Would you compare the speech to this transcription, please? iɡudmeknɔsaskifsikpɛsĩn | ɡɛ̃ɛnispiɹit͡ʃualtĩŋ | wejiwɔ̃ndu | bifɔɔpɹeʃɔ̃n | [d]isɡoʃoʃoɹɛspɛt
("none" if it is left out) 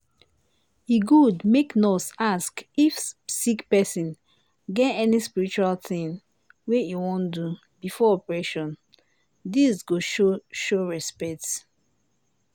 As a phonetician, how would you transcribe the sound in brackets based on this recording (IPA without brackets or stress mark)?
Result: d